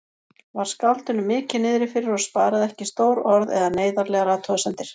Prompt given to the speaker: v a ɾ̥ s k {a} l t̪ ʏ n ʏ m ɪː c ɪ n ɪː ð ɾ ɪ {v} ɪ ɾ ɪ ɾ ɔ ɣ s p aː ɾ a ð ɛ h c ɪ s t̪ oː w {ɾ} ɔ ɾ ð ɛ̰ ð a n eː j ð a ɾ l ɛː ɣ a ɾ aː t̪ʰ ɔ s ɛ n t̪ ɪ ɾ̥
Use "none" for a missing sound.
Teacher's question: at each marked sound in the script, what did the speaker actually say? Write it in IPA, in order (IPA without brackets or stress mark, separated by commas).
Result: a, f, ɾ